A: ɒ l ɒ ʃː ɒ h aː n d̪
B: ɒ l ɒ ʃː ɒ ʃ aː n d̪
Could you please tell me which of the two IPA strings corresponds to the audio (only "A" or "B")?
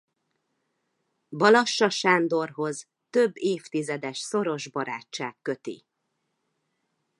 B